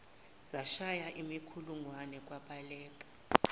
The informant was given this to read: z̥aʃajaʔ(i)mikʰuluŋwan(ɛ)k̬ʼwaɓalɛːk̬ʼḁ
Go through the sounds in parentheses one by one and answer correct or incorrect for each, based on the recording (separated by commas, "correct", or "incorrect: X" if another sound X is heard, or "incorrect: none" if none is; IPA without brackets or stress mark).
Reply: correct, correct